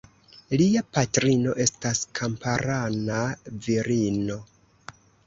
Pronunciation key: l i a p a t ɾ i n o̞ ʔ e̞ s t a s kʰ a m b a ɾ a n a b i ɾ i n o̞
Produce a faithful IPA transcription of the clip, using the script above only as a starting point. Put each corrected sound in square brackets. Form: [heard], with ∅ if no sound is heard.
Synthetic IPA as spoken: l i a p a t ɾ i n o̞ ʔ e̞ s t a s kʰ a m [p] a ɾ a n a [v] i ɾ i n o̞